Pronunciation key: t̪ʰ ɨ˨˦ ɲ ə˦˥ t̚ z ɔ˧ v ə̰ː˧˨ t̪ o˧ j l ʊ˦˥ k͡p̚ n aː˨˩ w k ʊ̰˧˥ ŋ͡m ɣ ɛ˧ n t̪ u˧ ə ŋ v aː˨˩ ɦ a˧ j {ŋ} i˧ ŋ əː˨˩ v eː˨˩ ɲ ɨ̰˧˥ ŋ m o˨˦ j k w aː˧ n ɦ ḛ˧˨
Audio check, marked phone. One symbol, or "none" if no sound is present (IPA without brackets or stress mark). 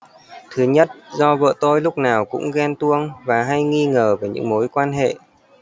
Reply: ŋ